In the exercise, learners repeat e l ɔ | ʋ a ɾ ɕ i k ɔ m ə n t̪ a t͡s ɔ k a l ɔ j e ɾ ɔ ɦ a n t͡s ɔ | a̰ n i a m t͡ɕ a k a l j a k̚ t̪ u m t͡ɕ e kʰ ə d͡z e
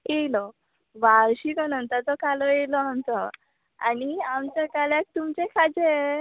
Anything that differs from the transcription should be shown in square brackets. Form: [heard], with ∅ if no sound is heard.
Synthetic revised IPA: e l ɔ | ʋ a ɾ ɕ i k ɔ [n] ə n t̪ a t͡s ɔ k a l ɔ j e [l] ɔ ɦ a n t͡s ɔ | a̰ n i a m t͡ɕ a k a l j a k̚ t̪ u m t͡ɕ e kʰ [a] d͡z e